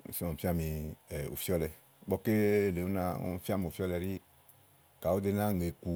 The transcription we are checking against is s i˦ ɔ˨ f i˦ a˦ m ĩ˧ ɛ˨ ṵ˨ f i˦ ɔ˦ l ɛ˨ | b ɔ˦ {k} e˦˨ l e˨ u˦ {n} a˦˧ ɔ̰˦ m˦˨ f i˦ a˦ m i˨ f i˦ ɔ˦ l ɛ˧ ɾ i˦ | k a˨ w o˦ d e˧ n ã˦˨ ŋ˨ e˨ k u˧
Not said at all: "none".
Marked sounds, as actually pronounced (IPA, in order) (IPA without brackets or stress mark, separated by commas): k, n